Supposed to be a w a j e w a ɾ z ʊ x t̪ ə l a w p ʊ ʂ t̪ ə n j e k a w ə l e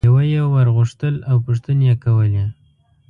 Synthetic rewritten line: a w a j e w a ɾ ɣ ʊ ʂ t̪ ə l a w p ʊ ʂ t̪ ə n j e k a w ə l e